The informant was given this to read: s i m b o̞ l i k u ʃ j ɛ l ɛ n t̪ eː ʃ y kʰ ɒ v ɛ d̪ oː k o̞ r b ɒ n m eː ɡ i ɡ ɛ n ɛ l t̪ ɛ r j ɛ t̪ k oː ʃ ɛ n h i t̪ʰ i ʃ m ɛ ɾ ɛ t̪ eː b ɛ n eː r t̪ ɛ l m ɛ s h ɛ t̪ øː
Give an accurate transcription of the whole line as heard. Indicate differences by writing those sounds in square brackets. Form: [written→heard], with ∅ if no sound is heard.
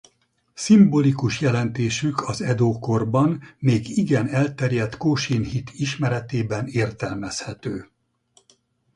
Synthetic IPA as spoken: s i m b o̞ l i k u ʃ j ɛ l ɛ n t̪ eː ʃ y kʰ ɒ [v→z] ɛ d̪ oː k o̞ r b ɒ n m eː ɡ i ɡ ɛ n ɛ l t̪ ɛ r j ɛ t̪ k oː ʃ [ɛ→i] n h i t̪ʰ i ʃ m ɛ ɾ ɛ t̪ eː b ɛ n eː r t̪ ɛ l m ɛ s h ɛ t̪ øː